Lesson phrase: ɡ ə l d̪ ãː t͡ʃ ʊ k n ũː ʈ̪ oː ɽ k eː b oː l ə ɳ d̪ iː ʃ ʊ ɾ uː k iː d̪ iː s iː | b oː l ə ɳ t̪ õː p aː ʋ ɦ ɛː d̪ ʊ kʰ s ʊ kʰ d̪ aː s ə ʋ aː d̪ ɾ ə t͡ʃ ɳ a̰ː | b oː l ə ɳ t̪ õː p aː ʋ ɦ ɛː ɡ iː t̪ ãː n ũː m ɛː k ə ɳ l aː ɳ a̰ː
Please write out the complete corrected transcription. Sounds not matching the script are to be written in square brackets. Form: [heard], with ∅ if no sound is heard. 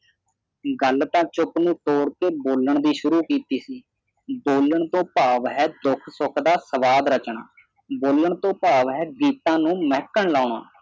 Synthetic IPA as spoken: ɡ ə l [t̪] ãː t͡ʃ ʊ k n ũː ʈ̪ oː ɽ k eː b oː l ə ɳ d̪ iː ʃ ʊ ɾ uː k iː [t̪] iː s iː | b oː l ə ɳ t̪ õː p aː ʋ ɦ ɛː d̪ ʊ kʰ s ʊ kʰ d̪ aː s ə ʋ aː d̪ ɾ ə t͡ʃ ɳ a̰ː | b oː l ə ɳ t̪ õː p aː ʋ ɦ ɛː ɡ iː t̪ ãː n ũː m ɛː k ə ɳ l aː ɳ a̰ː